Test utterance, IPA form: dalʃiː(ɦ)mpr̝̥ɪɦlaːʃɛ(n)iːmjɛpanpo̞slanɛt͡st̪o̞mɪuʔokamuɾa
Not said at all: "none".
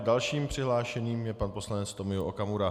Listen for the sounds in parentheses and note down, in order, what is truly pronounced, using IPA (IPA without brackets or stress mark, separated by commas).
none, ɲ